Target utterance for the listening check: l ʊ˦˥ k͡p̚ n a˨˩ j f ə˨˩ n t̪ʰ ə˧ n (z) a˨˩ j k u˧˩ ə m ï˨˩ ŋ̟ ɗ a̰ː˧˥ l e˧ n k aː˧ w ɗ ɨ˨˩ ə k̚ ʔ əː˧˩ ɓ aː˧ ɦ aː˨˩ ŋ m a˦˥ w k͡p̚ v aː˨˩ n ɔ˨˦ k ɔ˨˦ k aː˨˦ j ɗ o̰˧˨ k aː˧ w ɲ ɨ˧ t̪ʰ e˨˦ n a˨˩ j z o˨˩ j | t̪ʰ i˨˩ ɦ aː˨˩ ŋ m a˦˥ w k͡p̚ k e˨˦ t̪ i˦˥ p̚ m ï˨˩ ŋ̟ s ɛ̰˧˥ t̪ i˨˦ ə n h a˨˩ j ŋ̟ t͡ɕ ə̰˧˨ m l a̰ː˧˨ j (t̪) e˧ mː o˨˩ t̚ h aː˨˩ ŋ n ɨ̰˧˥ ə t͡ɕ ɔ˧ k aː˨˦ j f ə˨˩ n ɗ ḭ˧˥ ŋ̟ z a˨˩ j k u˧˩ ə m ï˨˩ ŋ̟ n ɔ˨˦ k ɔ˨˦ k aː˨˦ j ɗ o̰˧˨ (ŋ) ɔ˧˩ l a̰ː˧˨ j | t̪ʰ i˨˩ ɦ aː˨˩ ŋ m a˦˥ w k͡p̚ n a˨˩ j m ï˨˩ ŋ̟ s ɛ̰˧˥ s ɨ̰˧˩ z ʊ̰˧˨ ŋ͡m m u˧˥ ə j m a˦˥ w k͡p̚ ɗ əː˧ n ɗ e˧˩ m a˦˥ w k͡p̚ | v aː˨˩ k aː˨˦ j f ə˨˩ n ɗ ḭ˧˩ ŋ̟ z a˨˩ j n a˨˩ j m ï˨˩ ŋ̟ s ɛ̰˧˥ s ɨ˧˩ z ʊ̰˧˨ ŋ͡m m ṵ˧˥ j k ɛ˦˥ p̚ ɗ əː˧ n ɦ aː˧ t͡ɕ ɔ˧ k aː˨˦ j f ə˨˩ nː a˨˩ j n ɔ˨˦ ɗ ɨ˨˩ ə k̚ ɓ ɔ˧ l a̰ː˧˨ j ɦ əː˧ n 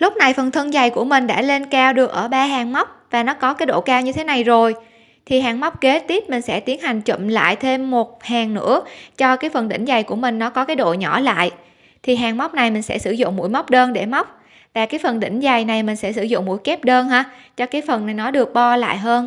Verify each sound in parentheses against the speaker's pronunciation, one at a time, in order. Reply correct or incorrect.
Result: correct, incorrect: t̪ʰ, incorrect: ɲ

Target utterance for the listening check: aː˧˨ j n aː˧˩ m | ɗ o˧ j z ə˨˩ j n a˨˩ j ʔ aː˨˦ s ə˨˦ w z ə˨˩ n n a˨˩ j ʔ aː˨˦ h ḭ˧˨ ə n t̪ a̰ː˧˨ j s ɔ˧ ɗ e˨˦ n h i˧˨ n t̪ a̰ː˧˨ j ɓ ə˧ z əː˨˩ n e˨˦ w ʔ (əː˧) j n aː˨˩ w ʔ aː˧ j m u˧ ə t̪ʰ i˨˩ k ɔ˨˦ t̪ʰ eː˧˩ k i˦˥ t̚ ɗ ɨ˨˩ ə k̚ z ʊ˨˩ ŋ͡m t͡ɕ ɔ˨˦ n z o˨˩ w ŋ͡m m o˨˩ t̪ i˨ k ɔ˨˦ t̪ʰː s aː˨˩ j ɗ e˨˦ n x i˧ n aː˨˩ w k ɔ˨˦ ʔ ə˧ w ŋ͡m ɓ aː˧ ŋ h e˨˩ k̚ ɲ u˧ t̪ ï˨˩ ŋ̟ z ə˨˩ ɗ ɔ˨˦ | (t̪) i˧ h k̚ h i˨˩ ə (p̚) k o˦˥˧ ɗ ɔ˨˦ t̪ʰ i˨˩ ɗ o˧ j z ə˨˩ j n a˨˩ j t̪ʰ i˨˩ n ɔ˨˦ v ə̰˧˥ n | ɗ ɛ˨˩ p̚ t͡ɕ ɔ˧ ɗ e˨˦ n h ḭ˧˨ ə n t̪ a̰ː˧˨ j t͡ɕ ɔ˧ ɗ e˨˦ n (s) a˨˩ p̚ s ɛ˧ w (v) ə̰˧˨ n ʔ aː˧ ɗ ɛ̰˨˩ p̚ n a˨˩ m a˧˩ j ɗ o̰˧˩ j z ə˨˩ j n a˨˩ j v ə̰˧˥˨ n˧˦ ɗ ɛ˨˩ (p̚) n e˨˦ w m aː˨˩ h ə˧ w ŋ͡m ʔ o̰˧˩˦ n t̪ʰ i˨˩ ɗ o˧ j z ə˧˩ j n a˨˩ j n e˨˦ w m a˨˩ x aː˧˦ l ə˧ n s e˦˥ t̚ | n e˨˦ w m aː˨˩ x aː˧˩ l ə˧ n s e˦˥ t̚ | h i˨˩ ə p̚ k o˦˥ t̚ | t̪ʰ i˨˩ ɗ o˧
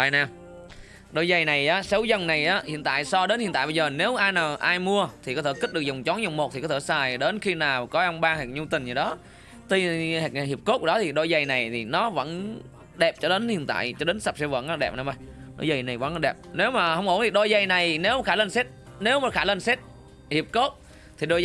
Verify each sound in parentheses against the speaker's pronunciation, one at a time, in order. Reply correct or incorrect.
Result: incorrect: aː˧, correct, correct, correct, correct, correct

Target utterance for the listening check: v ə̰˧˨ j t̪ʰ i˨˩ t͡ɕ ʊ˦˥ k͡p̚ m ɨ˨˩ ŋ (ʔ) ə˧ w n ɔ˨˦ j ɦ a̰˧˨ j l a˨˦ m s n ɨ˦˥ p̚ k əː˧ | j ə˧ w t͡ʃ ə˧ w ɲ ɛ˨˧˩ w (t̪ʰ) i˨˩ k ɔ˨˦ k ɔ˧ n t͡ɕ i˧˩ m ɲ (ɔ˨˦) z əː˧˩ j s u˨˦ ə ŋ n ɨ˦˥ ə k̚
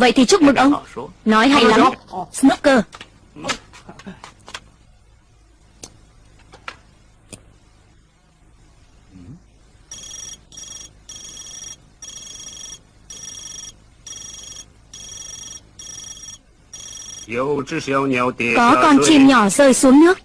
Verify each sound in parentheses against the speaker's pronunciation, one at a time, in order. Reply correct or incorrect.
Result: correct, incorrect: t̪, incorrect: ɔ˧˩

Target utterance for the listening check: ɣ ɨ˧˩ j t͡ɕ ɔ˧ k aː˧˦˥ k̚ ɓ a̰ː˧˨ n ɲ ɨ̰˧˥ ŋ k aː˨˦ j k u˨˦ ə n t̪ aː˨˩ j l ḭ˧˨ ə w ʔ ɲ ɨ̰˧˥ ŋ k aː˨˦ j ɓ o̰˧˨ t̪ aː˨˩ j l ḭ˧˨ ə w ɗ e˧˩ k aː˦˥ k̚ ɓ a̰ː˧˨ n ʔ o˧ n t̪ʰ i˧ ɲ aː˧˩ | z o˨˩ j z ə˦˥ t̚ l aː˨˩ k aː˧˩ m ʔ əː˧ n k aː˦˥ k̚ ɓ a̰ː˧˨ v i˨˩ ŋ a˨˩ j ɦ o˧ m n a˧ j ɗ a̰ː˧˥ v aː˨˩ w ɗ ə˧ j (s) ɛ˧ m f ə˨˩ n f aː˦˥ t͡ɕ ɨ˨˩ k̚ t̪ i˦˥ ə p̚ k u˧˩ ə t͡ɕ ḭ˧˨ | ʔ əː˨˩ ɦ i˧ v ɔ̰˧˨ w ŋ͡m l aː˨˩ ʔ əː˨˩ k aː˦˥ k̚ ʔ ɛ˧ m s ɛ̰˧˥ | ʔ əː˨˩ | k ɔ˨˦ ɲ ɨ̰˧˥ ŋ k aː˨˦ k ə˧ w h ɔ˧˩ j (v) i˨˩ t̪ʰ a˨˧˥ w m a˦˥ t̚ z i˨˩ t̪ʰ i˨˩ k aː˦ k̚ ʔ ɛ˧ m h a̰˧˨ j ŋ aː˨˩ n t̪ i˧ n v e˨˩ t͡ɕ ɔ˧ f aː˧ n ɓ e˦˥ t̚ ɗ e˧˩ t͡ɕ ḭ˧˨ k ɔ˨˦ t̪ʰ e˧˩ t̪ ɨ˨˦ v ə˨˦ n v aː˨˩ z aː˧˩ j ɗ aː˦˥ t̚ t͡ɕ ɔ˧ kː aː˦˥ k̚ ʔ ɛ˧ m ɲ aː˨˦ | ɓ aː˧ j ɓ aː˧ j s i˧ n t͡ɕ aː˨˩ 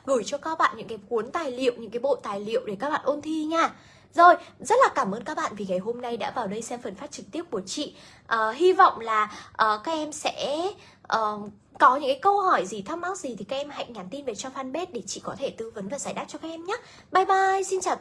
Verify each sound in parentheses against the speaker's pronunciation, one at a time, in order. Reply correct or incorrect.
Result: correct, incorrect: z

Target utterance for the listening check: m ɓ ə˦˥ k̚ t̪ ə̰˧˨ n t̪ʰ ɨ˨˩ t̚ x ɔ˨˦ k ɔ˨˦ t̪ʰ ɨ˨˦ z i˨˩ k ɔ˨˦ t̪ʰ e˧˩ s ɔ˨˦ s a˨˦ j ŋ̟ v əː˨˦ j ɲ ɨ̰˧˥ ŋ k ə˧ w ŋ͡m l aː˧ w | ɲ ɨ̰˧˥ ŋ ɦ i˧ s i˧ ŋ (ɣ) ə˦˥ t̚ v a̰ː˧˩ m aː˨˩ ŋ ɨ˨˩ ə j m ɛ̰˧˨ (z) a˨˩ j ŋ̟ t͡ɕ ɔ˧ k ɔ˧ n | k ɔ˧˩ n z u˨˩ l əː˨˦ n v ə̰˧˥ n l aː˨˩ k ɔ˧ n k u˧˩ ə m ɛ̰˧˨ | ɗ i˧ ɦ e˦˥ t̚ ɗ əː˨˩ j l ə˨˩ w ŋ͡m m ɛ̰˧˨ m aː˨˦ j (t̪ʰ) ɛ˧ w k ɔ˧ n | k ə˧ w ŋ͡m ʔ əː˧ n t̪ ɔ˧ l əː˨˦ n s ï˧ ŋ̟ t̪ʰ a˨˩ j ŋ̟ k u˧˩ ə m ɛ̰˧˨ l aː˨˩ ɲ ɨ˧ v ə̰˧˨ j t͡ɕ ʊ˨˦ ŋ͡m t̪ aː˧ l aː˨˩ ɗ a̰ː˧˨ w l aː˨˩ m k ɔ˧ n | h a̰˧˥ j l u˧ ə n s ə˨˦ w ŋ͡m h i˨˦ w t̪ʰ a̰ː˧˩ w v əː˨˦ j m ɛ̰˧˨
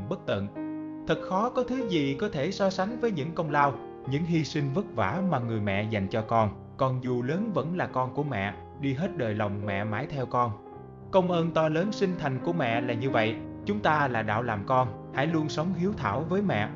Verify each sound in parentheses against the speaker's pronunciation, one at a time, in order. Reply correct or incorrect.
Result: incorrect: v, correct, correct

